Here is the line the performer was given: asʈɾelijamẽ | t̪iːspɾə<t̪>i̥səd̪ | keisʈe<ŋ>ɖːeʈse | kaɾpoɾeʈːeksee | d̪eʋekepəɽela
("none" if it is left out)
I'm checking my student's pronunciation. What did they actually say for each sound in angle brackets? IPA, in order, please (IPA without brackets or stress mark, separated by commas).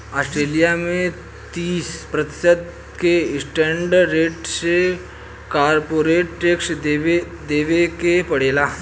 t̪, ɳ